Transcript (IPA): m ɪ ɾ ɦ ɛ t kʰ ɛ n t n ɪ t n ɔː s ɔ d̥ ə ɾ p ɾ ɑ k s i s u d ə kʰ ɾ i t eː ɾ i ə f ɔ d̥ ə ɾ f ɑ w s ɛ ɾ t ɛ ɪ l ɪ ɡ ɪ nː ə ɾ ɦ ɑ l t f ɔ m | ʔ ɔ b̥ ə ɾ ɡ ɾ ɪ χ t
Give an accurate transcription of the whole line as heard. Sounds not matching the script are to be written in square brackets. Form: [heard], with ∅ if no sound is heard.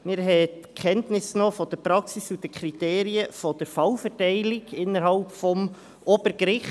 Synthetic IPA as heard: m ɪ ɾ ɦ ɛ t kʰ ɛ n t n ɪ [s] n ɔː [f] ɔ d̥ ə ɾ p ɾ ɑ k s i s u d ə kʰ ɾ i t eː ɾ i ə f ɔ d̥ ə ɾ f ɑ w [f] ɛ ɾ t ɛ ɪ l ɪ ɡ ɪ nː ə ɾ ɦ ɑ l [p] f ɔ m | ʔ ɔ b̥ ə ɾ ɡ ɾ ɪ χ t